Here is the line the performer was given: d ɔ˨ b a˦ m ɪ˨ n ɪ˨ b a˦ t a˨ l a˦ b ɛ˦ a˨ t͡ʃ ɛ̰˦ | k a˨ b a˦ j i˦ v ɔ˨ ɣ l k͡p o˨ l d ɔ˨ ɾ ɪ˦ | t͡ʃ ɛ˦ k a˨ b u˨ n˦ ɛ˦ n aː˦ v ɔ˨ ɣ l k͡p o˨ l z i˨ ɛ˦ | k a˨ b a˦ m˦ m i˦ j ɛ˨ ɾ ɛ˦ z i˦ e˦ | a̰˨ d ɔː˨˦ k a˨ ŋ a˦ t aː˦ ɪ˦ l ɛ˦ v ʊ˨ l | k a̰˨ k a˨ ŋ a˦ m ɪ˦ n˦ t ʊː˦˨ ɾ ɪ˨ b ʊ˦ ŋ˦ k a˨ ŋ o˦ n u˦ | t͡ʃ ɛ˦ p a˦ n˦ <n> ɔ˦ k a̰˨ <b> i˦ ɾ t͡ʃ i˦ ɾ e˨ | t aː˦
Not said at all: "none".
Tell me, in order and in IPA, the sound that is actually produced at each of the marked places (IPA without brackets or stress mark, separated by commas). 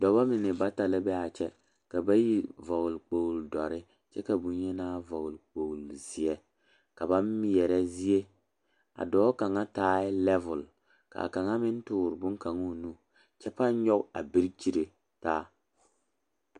ɲ, b